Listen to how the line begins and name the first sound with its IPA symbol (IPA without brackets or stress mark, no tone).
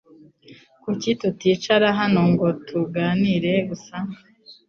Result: k